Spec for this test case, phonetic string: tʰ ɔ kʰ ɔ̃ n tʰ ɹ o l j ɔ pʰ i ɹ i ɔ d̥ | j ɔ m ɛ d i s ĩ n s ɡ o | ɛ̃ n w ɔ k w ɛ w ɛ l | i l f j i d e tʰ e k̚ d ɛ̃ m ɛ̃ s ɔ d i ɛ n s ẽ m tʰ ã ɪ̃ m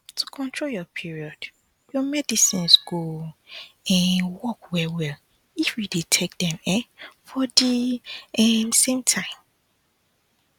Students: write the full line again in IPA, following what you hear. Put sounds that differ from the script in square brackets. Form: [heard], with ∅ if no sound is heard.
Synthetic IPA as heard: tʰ [u] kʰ ɔ̃ n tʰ ɹ o l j ɔ pʰ i ɹ i ɔ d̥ | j ɔ m ɛ d i s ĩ n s ɡ o | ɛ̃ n w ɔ k w ɛ w ɛ l | i [∅] f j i d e tʰ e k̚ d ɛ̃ m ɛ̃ [f] ɔ d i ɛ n s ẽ m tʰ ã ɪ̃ m